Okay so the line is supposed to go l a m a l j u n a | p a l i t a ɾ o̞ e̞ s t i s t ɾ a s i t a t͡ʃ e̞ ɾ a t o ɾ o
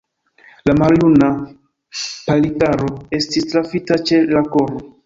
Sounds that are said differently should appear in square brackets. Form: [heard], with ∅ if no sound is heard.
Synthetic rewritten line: l a m a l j u n a | p a l i t a ɾ o̞ e̞ s t i s t ɾ a [f] i t a t͡ʃ e̞ [l] a [k] o ɾ o